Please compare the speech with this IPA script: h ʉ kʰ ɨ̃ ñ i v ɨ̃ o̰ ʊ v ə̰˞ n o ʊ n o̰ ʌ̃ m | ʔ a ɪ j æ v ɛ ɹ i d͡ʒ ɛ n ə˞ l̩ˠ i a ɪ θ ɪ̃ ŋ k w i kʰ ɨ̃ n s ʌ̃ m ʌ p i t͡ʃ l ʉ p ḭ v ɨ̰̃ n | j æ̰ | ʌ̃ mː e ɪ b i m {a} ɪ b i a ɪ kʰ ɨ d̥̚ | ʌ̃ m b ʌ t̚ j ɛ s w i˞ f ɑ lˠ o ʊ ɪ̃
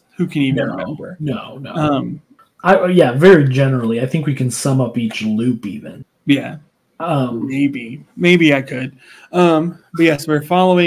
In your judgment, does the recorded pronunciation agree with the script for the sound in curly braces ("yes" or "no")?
no